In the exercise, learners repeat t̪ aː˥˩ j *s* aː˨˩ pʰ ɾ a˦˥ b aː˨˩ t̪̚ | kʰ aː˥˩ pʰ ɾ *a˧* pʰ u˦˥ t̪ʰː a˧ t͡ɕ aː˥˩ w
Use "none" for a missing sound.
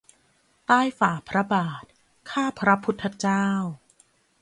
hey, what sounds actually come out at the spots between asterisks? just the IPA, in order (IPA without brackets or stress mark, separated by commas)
f, a˦˥